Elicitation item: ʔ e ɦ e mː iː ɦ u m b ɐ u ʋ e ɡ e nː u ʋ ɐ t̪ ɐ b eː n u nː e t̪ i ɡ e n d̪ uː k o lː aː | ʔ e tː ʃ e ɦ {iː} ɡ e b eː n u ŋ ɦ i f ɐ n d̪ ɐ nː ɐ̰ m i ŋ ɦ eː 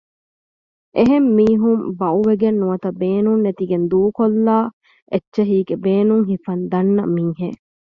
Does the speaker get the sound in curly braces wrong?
no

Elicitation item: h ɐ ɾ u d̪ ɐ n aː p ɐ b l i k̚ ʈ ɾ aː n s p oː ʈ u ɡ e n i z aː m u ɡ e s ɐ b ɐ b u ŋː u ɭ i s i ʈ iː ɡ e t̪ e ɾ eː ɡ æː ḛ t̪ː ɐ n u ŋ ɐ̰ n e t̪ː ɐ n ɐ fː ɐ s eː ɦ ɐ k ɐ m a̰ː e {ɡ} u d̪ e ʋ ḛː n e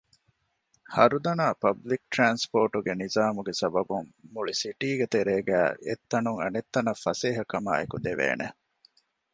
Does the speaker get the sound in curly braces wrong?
yes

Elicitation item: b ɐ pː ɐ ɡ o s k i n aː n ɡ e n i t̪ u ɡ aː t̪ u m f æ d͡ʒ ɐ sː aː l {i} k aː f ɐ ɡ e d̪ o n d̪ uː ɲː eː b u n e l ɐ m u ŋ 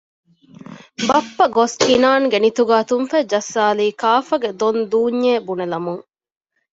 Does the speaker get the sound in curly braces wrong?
yes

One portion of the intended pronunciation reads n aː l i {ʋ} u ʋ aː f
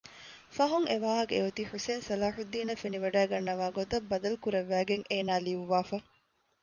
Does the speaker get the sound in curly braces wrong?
no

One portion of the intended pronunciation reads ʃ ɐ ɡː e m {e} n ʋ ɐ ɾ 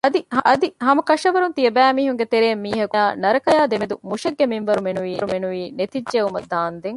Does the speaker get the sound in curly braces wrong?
yes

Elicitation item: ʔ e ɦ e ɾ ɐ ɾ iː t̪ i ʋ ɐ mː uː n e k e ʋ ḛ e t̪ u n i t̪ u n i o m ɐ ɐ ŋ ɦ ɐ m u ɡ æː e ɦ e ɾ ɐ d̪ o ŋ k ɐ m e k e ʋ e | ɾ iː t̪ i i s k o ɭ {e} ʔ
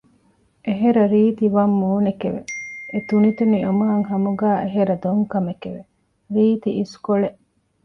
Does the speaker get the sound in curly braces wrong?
no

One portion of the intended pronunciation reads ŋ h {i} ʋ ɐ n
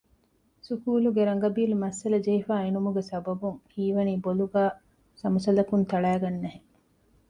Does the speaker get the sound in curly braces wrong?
yes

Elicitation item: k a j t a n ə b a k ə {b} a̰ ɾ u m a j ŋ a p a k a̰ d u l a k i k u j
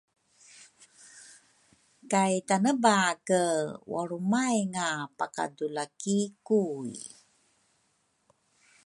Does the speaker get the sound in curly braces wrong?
yes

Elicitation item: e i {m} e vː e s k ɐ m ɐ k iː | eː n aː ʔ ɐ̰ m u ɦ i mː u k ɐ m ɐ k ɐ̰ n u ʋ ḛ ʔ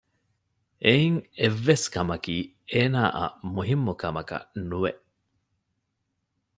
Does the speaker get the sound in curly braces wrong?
yes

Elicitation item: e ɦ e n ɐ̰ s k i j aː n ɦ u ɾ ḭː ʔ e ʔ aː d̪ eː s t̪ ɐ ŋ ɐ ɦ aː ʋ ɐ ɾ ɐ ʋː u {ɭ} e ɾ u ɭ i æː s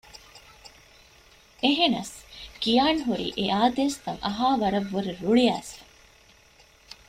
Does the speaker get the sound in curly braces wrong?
yes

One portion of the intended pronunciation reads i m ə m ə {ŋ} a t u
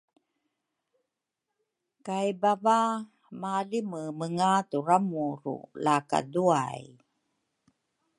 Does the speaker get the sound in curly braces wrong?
no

